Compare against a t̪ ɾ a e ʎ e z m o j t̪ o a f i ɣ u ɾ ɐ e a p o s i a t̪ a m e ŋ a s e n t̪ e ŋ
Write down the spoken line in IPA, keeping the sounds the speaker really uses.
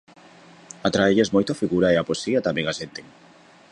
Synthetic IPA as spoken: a t̪ ɾ a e ʎ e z m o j t̪ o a f i ɣ u ɾ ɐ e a p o s i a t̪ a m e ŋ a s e n t̪ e ŋ